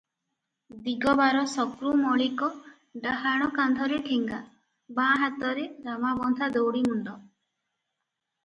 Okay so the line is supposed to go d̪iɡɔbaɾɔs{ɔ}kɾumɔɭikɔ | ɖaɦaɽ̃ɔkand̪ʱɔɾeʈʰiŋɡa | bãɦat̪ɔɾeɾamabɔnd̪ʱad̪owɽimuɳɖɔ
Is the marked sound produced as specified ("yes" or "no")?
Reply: yes